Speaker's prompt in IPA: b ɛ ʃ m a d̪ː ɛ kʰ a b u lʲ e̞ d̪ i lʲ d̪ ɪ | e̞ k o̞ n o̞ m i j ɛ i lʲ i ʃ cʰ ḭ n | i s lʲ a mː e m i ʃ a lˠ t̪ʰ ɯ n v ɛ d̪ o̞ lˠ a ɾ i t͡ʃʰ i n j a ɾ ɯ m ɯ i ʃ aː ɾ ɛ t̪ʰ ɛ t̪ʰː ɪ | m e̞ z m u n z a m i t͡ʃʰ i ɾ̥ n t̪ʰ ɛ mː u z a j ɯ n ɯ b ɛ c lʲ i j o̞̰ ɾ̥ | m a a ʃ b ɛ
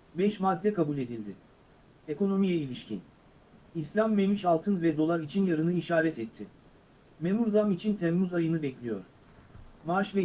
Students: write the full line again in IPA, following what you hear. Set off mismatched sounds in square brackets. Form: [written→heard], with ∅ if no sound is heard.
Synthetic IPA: b ɛ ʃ m a d̪ː ɛ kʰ a b u lʲ e̞ d̪ i lʲ d̪ ɪ | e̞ k o̞ n o̞ m i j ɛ i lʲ i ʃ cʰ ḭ n | i s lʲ a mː e m i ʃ a lˠ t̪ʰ ɯ n v ɛ d̪ o̞ lˠ a ɾ i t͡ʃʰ i n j a ɾ ɯ [m→n] ɯ i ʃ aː ɾ ɛ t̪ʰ ɛ t̪ʰː ɪ | m e̞ [z→∅] m u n z a m i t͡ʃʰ i [ɾ̥→∅] n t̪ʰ ɛ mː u z a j ɯ n ɯ b ɛ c lʲ i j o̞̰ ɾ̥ | m a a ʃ [b→v] ɛ